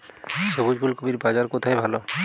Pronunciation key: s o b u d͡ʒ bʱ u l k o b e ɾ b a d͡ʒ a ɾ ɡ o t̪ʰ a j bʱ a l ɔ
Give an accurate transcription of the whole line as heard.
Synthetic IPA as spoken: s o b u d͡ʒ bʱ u l k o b i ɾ b a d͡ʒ a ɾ k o t̪ʰ a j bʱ a l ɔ

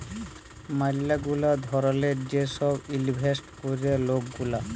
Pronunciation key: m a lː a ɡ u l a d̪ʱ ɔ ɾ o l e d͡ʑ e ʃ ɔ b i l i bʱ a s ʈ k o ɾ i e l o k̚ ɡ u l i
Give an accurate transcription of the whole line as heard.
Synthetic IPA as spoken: m a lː a ɡ u l a d̪ʱ ɔ ɾ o l e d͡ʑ e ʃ ɔ b i l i bʱ e s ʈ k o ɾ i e l o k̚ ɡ u l a

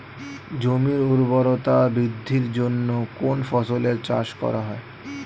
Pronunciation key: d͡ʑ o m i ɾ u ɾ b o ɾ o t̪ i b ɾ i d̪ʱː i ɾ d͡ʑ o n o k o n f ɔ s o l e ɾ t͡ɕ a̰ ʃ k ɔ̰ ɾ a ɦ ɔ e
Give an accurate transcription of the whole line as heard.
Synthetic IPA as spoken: d͡ʑ o m i ɾ u ɾ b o ɾ o t̪ a b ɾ i d̪ʱː i ɾ d͡ʑ o nː o k o n f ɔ s o l e ɾ t͡ɕ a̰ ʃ k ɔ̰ ɾ a ɦ ɔ e

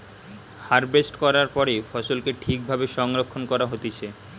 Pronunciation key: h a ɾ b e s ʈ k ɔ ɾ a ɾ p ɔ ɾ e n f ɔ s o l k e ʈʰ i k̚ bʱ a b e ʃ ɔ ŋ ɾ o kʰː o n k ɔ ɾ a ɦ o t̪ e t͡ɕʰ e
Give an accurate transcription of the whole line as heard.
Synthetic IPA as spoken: h a ɾ b e s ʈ k ɔ ɾ a ɾ p ɔ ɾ e f ɔ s o l k e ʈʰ i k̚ bʱ a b e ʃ ɔ ŋ ɾ o kʰː o n k ɔ ɾ a ɦ o t̪ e t͡ɕʰ e

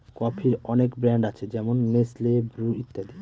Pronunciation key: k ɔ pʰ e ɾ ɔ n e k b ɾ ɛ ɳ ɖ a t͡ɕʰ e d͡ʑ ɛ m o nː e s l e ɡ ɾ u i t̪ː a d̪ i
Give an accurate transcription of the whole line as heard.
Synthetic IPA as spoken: k ɔ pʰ i ɾ ɔ n e k b ɾ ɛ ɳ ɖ a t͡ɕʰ e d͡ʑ ɛ m o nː e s l e b ɾ u i t̪ː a d̪ i

